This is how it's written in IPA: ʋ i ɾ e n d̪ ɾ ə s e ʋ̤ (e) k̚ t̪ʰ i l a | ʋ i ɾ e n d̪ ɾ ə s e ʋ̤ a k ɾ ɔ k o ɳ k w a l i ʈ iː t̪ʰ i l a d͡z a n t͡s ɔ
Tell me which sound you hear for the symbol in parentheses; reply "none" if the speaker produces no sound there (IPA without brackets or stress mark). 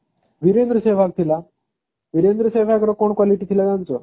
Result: a